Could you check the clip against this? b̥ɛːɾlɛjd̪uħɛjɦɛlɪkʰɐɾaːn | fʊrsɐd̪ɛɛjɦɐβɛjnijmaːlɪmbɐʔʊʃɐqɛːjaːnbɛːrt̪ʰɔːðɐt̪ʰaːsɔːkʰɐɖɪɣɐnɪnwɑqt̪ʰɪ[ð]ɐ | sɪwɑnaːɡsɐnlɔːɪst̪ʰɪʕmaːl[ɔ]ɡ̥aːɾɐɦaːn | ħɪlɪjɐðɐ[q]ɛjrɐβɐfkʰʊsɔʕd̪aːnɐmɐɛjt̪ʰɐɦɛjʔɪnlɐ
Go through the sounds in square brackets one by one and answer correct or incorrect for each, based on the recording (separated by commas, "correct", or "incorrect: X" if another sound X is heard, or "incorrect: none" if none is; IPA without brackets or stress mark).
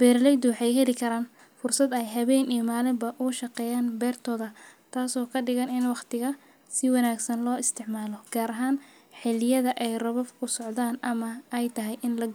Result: incorrect: ɣ, correct, incorrect: ʔ